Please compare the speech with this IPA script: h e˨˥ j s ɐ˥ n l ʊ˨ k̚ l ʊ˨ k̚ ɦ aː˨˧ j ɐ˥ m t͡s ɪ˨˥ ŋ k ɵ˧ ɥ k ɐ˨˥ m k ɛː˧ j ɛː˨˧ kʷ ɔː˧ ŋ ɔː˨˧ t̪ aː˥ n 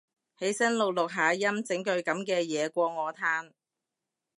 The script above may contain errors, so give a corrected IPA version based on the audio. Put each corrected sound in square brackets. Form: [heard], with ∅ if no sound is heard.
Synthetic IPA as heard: h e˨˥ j s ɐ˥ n l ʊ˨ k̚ l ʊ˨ k̚ ɦ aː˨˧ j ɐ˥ m t͡s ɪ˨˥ ŋ k ɵ˧ ɥ k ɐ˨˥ m k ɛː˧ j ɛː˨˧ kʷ ɔː˧ ŋ ɔː˨˧ [t̪ʰ] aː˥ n